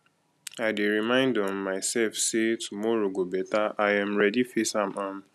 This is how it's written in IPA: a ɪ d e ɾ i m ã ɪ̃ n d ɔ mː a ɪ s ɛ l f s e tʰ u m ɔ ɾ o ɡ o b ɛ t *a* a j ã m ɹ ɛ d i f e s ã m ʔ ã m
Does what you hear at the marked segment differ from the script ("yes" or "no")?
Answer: no